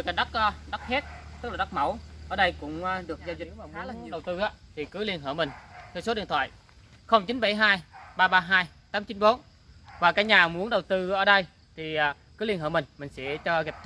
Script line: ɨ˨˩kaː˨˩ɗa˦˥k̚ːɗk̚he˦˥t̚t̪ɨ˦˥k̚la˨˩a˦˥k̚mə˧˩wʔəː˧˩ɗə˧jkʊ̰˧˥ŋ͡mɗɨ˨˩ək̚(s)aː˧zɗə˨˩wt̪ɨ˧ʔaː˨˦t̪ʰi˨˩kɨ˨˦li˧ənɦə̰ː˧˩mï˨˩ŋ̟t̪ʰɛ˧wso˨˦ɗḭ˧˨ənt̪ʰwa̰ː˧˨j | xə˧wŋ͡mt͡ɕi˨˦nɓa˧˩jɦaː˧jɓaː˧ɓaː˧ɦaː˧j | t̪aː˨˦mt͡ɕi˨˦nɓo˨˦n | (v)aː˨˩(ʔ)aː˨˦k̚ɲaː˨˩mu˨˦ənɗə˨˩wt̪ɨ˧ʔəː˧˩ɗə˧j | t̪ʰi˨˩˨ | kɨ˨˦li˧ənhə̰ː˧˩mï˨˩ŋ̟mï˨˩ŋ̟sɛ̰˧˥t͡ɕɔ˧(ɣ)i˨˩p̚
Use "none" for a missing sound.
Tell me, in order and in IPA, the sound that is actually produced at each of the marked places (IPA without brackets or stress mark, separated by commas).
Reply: z, v, k, ɣ